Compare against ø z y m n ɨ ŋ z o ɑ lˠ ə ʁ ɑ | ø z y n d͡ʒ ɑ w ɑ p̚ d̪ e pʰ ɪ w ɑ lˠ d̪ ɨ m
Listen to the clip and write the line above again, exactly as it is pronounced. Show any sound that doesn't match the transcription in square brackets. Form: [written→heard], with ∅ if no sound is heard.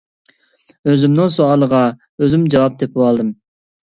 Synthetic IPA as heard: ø z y m n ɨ ŋ [z→s] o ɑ lˠ ə ʁ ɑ | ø z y [n→m] d͡ʒ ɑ w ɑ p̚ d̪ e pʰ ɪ w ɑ lˠ d̪ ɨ m